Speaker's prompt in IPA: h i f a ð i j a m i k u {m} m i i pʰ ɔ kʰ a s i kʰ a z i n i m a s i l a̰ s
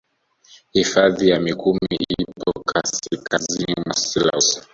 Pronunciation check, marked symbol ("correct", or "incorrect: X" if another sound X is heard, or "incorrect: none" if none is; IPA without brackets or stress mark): correct